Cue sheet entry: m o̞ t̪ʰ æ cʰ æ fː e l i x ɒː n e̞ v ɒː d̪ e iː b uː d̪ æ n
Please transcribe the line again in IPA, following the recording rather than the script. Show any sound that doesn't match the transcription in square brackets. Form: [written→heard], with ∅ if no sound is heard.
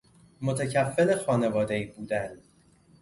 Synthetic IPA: m o̞ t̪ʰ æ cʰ æ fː e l [i→e] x ɒː n e̞ v ɒː d̪ e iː b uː d̪ æ n